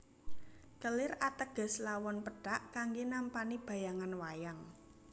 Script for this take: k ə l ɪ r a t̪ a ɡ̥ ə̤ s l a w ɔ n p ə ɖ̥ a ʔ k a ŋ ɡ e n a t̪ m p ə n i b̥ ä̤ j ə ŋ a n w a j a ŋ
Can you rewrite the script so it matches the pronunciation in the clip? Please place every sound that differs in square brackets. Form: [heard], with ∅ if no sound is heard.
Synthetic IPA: k ə l ɪ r a t̪ [ə] ɡ̥ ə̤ s l a w ɔ n p ə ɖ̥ a ʔ k a ŋ ɡ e n a [∅] m p [a] n i b̥ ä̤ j [a] ŋ a n w a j a ŋ